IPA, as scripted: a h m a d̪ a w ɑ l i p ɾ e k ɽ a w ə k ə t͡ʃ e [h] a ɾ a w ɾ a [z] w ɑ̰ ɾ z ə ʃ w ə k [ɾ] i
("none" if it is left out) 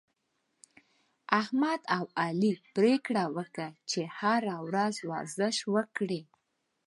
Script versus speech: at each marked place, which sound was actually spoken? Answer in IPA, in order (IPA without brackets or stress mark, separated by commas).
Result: h, z, ɽ